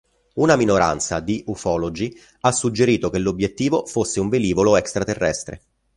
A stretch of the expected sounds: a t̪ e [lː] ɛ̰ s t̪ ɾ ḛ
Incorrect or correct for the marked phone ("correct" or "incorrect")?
incorrect